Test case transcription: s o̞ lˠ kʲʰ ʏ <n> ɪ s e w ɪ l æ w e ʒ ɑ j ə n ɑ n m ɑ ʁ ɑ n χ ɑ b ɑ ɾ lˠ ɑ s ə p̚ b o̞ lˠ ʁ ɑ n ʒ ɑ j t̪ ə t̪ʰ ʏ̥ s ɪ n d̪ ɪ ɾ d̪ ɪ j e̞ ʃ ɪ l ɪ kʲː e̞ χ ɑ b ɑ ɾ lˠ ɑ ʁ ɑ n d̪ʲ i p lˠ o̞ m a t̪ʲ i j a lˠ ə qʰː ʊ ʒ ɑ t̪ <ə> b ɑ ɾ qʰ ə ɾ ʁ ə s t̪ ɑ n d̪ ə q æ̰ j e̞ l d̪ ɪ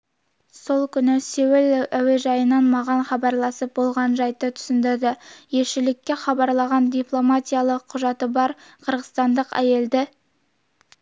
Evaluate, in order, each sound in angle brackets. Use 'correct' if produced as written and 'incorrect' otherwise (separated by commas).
correct, correct